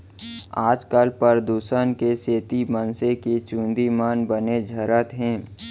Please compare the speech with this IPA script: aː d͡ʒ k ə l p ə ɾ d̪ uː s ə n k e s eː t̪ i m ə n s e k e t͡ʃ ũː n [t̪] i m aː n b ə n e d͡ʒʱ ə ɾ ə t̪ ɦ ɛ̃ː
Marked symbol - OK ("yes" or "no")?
no